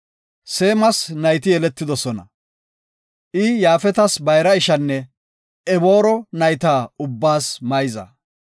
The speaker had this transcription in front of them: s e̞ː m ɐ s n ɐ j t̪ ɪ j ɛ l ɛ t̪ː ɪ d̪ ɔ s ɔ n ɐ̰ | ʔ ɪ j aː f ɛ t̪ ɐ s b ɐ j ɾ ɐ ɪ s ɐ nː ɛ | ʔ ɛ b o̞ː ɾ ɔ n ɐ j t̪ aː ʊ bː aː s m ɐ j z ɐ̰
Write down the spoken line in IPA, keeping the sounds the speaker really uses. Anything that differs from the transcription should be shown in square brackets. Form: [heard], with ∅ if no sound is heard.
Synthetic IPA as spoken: s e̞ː m ɐ s n ɐ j t̪ ɪ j ɛ l ɛ t̪ː ɪ d̪ ɔ s ɔ n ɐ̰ | ʔ ɪ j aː f ɛ t̪ ɐ s b ɐ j ɾ ɐ ɪ [ʃ] ɐ nː ɛ | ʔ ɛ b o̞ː ɾ ɔ n ɐ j t̪ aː ʊ bː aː s m ɐ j z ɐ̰